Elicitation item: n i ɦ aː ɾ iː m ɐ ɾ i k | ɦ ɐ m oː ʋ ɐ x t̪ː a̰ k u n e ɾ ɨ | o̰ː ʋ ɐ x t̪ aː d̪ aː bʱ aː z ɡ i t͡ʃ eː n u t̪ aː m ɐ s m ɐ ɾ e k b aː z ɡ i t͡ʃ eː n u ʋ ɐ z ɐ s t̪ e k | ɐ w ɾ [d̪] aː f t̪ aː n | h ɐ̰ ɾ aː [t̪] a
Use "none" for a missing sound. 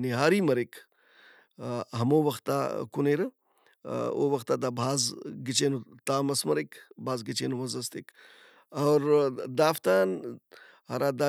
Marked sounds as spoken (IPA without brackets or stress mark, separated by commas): d̪, d̪